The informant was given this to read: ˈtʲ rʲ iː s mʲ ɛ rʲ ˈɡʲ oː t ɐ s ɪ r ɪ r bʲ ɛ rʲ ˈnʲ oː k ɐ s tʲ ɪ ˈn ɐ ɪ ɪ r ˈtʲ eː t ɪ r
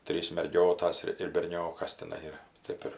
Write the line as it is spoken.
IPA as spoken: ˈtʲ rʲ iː s mʲ ɛ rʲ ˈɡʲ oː t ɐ s ɪ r ɪ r bʲ ɛ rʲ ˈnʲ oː k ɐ s tʲ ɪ ˈn ɐ ɪ ɪ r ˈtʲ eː p ɪ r